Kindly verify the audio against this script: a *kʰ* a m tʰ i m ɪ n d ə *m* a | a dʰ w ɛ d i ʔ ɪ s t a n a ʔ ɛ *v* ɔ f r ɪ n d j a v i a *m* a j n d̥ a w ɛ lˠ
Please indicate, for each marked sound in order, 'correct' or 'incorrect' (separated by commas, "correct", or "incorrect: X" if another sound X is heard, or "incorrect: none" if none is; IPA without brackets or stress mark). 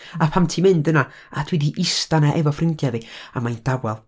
incorrect: pʰ, incorrect: n, correct, correct